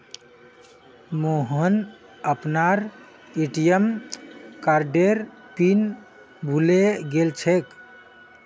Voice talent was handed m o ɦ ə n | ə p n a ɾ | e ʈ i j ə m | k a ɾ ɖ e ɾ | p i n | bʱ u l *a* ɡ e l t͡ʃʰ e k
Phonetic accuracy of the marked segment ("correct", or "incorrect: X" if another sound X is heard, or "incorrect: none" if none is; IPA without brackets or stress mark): incorrect: e